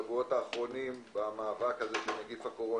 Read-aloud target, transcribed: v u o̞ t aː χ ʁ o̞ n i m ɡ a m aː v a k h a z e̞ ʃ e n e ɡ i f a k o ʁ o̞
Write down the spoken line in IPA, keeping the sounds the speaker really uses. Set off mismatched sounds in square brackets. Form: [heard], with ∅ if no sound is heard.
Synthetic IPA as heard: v u o̞ t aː χ ʁ o̞ n i m [b] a m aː v a k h a z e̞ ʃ e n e ɡ i f a k o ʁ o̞